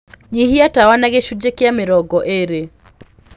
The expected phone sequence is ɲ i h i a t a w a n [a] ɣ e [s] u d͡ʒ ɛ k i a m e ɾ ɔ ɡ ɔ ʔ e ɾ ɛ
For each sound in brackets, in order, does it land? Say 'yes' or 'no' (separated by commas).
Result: yes, no